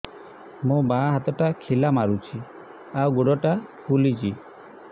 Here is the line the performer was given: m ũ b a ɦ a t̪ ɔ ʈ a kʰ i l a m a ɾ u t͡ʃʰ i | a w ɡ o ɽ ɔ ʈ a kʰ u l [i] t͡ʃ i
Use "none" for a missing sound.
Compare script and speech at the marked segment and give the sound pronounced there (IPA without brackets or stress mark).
i